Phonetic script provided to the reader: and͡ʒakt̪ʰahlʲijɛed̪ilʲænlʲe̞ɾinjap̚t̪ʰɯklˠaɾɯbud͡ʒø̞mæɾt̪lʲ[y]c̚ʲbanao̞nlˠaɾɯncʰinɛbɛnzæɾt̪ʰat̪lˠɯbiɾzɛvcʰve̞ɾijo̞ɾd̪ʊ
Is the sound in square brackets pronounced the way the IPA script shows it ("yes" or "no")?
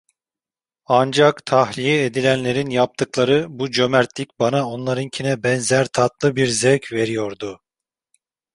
no